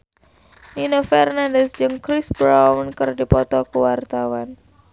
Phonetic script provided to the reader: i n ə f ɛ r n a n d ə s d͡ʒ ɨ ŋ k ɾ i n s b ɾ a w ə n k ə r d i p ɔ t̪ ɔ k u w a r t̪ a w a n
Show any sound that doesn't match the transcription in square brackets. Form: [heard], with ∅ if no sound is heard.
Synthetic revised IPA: i n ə f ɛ r n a n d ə s d͡ʒ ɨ ŋ k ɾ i [∅] s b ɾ a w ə n k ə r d i p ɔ t̪ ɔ k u w a r t̪ a w a n